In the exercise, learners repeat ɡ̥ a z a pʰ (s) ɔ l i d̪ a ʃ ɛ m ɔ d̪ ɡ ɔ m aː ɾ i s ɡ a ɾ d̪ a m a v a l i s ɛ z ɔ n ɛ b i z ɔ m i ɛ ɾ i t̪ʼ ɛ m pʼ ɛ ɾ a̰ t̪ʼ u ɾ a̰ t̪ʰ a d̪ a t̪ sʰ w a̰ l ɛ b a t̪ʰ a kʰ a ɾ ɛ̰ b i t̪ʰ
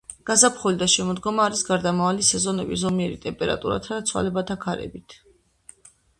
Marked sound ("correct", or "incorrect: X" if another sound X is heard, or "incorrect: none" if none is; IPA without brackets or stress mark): incorrect: χ